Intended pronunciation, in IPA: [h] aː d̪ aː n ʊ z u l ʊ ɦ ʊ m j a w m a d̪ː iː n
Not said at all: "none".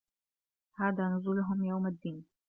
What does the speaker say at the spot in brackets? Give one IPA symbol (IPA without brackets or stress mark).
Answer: h